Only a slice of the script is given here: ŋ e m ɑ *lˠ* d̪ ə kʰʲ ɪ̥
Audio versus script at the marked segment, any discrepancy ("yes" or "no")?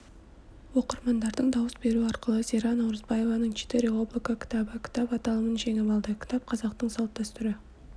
no